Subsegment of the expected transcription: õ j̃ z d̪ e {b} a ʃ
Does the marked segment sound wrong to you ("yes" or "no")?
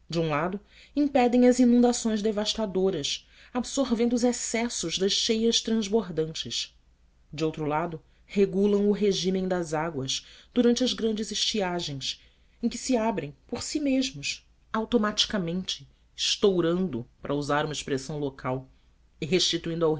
yes